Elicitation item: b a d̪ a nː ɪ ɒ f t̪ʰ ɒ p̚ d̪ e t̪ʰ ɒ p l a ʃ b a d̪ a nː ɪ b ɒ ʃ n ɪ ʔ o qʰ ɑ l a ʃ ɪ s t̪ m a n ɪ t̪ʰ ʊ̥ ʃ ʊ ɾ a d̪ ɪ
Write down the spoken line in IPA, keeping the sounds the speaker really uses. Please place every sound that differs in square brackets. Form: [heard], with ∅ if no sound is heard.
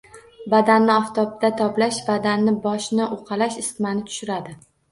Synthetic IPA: b a d̪ a nː ɪ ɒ f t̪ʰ ɒ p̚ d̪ [a] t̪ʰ ɒ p l a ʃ b a d̪ a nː ɪ b ɒ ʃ n ɪ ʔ o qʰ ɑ l a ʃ ɪ s t̪ m a n ɪ t̪ʰ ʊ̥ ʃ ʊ ɾ a d̪ ɪ